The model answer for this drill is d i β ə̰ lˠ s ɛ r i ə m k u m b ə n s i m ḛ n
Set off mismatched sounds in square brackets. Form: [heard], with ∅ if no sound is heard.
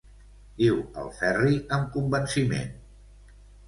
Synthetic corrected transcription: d i [w] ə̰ lˠ [f] ɛ r i ə m k u m b ə n s i m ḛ n